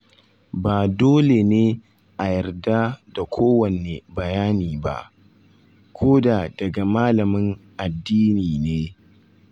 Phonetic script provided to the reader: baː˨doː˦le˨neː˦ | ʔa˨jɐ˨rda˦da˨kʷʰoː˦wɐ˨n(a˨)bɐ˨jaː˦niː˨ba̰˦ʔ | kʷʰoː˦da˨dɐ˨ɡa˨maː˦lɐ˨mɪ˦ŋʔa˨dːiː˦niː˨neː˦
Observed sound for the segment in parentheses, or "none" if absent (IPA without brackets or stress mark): e˨